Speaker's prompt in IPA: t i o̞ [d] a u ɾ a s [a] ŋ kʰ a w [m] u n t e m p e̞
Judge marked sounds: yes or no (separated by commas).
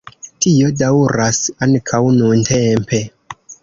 yes, yes, no